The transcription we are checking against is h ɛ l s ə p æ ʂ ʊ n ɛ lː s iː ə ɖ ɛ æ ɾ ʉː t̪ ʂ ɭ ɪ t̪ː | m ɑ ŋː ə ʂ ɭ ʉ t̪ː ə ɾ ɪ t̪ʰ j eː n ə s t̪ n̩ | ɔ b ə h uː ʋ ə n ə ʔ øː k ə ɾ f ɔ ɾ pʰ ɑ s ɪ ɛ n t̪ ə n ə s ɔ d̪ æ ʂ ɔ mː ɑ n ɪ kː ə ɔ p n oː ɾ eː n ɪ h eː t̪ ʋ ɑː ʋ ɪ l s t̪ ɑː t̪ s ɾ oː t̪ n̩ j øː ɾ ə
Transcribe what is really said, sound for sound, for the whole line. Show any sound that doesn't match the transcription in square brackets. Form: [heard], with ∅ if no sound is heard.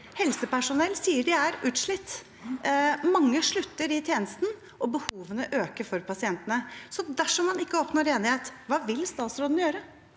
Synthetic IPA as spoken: h ɛ l s ə p æ ʂ ʊ n ɛ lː s iː ə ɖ ɛ æ ɾ ʉː t̪ ʂ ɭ ɪ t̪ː | m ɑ ŋː ə ʂ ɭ ʉ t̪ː ə ɾ ɪ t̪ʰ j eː n ə s t̪ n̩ | ɔ b ə h uː ʋ ə n ə ʔ øː k ə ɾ f ɔ ɾ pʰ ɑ s ɪ ɛ n t̪ ə n ə s ɔ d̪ æ ʂ ɔ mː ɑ n ɪ kː ə ɔ p n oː ɾ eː n ɪ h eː t̪ ʋ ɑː ʋ ɪ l s t̪ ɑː t̪ s ɾ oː [d̪] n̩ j øː ɾ ə